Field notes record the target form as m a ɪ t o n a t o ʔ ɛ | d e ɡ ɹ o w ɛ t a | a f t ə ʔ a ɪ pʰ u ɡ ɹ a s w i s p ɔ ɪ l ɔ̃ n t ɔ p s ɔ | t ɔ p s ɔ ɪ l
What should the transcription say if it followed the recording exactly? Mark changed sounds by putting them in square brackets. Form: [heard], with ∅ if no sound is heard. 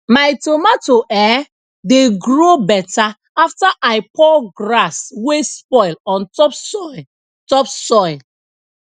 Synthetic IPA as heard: m a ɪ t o [m] a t o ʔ ɛ | d e ɡ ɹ o [b] ɛ t a | a f t [a] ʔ a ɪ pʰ [ɔ] ɡ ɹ a s w [e] s p ɔ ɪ l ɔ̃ n t ɔ p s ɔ | t ɔ p s ɔ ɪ l